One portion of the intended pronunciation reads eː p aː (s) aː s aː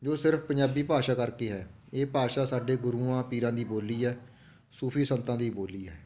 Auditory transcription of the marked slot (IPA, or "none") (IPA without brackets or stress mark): ʃ